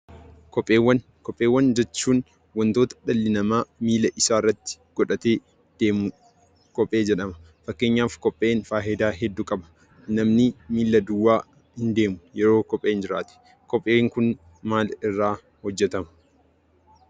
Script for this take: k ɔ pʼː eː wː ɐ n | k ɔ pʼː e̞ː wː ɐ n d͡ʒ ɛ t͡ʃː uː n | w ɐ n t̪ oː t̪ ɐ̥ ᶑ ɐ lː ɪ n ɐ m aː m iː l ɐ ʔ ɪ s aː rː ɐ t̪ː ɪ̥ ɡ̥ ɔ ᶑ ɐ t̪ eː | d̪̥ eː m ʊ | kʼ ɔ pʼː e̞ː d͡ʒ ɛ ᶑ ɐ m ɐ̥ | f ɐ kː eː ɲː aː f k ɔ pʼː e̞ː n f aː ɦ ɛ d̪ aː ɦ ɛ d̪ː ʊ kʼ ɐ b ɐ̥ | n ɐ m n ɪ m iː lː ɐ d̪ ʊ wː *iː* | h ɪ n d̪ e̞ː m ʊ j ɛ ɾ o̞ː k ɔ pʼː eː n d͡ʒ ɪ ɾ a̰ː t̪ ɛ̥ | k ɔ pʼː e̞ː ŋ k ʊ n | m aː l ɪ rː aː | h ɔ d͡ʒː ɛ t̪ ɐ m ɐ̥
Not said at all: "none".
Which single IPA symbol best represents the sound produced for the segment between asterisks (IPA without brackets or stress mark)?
aː